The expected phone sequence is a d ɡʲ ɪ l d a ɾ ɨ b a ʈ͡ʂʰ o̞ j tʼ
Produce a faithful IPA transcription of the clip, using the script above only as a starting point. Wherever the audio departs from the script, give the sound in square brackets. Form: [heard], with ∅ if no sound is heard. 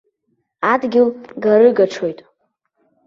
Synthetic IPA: a d ɡʲ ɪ l [ɡ] a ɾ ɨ [ɡ] a ʈ͡ʂʰ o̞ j tʼ